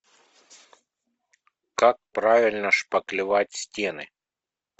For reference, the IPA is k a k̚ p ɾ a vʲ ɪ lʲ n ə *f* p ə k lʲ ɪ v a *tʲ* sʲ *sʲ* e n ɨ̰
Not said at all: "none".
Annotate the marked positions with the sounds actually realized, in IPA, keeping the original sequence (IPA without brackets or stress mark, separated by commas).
ʂ, tʲ, tʲ